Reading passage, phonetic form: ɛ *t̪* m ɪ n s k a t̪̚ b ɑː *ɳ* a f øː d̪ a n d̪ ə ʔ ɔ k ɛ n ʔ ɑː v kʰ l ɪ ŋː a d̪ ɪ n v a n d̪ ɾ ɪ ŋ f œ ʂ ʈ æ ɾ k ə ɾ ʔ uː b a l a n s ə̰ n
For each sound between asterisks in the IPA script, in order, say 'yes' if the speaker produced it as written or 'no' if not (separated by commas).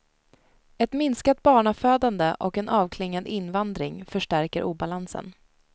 yes, yes